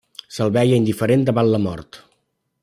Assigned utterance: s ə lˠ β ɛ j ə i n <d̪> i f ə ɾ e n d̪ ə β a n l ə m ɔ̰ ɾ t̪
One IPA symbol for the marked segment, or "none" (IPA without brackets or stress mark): d̪